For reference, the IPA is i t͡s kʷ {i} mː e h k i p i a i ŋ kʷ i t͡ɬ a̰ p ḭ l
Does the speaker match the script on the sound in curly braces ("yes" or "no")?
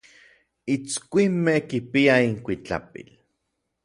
yes